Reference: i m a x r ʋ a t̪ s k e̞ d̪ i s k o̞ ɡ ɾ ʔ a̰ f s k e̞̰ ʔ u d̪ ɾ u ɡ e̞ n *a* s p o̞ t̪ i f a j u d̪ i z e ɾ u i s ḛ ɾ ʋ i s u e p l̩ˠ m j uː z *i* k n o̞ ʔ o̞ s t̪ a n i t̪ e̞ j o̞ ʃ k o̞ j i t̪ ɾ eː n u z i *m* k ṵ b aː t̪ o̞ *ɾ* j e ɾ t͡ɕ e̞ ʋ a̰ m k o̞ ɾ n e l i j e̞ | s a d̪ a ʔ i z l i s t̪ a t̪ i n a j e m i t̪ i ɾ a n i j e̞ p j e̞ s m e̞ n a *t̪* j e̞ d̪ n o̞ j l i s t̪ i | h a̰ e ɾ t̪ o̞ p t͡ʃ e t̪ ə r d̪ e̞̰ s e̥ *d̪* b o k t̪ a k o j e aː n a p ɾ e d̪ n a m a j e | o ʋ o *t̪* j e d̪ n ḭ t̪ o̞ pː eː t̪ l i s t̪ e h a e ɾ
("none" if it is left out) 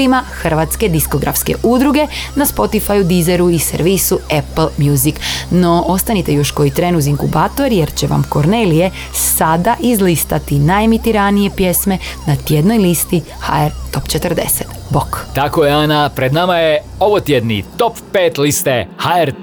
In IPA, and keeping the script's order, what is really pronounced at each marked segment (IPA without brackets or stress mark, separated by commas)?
a, i, ŋ, ɾ, t̪, t̪, t̪